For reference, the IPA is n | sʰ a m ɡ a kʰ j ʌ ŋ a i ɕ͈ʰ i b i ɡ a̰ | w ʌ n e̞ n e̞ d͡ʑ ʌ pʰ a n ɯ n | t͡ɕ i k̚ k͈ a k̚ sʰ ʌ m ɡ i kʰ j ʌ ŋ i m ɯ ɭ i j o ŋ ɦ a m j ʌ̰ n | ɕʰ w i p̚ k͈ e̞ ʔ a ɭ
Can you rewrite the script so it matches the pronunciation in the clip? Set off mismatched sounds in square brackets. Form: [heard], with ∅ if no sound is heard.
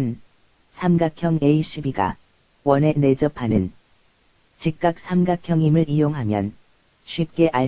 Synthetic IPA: n | sʰ a m ɡ a kʰ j ʌ ŋ [e] i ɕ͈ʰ i b i ɡ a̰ | w ʌ n e̞ n e̞ d͡ʑ ʌ pʰ a n ɯ n | t͡ɕ i k̚ k͈ a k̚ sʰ [a] m ɡ [a] kʰ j ʌ ŋ i m ɯ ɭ i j o ŋ ɦ a m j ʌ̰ n | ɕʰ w i p̚ k͈ e̞ ʔ a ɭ